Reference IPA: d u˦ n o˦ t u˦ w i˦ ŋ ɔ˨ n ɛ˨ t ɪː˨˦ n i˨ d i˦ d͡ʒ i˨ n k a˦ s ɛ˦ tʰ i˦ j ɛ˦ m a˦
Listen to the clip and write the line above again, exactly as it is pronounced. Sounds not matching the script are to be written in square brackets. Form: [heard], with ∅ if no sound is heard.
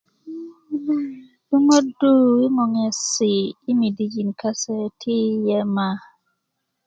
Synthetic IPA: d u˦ [ŋ] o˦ [d] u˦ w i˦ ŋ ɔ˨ [ŋ] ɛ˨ [s] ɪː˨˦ [m] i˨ d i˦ d͡ʒ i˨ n k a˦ s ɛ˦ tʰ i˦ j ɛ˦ m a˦